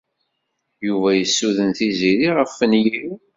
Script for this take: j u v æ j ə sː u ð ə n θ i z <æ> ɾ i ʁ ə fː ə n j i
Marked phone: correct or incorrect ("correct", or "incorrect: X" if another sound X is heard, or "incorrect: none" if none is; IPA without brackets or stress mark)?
incorrect: i